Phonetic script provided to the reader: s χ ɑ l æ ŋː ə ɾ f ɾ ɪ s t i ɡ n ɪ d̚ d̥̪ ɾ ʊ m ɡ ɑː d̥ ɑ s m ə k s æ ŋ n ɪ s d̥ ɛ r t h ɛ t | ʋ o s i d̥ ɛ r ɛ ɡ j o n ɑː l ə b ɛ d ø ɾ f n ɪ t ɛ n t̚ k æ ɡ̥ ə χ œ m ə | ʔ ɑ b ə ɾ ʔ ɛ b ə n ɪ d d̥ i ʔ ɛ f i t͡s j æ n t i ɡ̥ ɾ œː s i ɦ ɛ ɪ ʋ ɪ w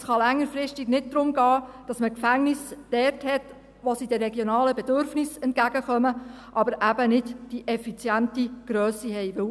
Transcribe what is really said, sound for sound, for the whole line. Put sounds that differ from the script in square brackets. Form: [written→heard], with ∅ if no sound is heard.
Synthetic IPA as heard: s χ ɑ l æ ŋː ə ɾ f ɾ ɪ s t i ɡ n ɪ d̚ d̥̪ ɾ ʊ m ɡ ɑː d̥ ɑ s m ə k [s→f] æ ŋ n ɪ s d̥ ɛ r t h ɛ t | ʋ o s i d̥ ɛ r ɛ ɡ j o n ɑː l ə b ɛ d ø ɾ f n ɪ [t→s] ɛ n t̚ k æ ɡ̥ ə χ œ m ə | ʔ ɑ b ə ɾ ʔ [ɛ→æ] b ə n ɪ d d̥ i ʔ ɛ f i t͡s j æ n t i ɡ̥ ɾ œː s i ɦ ɛ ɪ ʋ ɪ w